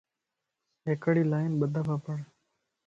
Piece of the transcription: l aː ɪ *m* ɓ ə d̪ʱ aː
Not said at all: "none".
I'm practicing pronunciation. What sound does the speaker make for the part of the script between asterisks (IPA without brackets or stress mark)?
n